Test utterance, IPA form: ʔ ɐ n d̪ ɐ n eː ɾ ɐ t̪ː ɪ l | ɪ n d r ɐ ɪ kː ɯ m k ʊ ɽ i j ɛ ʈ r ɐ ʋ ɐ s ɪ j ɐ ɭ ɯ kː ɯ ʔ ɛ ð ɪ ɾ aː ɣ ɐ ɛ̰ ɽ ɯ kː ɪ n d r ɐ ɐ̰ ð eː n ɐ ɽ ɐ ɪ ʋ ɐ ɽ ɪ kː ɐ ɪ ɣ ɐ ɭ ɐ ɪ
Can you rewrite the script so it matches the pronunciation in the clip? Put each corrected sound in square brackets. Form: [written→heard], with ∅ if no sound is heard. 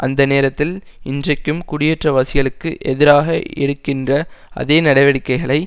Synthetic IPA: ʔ ɐ n d̪ ɐ n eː ɾ ɐ t̪ː ɪ l | ɪ n d r ɐ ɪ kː ɯ m k ʊ ɽ [i→ɪ] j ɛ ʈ r ɐ ʋ ɐ s ɪ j ɐ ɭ ɯ kː ɯ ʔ ɛ ð ɪ ɾ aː ɣ ɐ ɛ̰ ɽ ɯ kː ɪ n d r ɐ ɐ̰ ð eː n ɐ ɽ ɐ ɪ ʋ ɐ ɽ ɪ kː ɐ ɪ ɣ ɐ ɭ ɐ ɪ